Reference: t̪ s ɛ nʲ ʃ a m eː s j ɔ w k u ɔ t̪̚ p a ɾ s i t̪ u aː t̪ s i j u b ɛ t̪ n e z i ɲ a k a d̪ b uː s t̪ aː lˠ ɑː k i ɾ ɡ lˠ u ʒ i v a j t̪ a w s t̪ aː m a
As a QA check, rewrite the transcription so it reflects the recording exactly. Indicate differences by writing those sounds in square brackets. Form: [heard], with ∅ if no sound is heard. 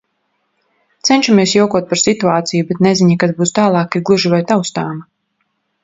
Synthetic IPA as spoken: t̪ s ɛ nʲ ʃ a m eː s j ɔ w k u ɔ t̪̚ p a ɾ s i t̪ u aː t̪ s i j u b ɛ t̪ n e z i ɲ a k a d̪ b uː s t̪ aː lˠ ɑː k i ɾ ɡ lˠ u ʒ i v a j t̪ a w s t̪ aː m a